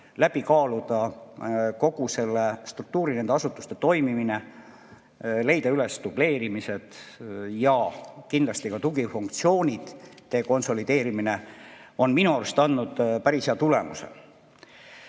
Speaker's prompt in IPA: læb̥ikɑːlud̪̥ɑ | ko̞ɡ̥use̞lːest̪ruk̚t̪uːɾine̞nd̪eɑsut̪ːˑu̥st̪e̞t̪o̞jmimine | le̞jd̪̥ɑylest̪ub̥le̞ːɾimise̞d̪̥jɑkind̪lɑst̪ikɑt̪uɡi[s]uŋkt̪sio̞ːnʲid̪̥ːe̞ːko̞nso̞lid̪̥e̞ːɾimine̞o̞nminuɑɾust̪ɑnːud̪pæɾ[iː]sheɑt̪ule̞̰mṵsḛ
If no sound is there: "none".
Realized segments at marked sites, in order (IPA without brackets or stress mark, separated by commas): f, i